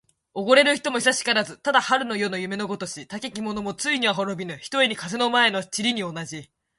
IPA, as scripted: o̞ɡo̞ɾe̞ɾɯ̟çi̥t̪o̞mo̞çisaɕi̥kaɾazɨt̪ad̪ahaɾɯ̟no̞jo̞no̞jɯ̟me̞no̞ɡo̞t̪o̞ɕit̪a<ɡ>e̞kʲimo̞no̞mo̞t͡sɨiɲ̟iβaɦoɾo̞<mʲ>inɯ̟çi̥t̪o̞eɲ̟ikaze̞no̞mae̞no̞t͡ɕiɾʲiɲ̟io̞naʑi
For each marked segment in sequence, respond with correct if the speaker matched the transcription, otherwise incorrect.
incorrect, incorrect

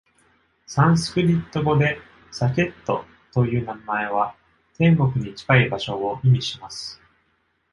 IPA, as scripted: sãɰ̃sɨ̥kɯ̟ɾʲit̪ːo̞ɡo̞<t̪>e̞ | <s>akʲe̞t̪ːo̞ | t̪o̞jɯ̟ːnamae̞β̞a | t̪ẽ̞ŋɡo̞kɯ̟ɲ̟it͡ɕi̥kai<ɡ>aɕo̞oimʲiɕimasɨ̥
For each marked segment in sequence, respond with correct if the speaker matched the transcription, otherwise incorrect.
incorrect, correct, incorrect

